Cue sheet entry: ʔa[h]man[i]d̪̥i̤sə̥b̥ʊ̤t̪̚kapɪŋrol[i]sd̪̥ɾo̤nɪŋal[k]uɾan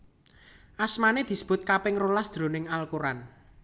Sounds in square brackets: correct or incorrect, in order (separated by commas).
incorrect, incorrect, incorrect, correct